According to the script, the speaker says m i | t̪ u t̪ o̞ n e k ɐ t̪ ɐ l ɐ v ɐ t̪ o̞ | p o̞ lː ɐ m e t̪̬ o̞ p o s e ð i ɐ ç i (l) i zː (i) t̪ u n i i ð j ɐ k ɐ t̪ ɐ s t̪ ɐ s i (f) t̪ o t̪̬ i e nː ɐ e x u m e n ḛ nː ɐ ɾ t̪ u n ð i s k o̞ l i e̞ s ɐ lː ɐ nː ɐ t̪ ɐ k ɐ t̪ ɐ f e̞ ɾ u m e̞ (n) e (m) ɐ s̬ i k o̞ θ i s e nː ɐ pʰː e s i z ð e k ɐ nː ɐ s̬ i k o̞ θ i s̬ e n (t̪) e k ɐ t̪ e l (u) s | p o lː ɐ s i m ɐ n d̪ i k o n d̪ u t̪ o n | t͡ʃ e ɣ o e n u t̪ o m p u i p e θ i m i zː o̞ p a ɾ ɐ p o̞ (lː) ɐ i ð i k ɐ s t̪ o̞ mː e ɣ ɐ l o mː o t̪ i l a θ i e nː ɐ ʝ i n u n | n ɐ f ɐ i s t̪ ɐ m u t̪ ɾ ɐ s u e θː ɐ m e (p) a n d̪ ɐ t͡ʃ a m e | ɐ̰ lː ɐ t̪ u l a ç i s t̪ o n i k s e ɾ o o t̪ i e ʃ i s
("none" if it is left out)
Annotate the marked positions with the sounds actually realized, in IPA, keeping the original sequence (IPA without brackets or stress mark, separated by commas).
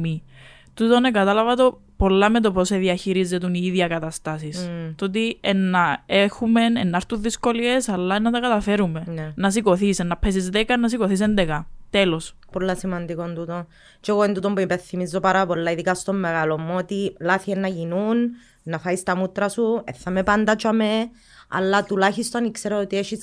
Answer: ɾ, e, s, n, n, d̪, o, lː, p